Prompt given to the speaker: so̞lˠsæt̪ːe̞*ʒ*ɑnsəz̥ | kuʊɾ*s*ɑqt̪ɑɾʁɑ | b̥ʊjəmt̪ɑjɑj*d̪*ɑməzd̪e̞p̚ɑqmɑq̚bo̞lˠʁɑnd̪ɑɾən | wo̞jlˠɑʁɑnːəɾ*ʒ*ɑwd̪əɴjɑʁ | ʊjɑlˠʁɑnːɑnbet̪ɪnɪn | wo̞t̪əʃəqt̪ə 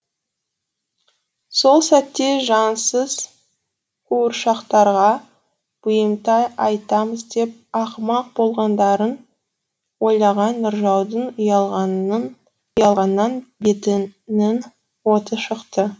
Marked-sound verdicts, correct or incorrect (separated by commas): correct, incorrect, incorrect, correct